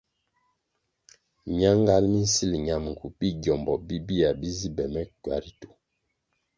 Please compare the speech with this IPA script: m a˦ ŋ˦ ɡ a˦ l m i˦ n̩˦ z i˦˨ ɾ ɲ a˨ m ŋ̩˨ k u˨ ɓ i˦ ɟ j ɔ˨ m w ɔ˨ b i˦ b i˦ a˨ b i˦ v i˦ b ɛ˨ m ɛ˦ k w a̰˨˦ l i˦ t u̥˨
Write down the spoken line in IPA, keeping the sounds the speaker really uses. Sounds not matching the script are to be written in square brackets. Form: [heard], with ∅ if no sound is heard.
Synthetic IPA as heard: [ɲ] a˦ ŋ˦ ɡ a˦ l m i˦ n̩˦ [s] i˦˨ [l] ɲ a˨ m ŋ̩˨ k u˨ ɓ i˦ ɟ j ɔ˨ m [b] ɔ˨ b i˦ b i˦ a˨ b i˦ [z] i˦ b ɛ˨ m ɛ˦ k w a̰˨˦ [ɾ] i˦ t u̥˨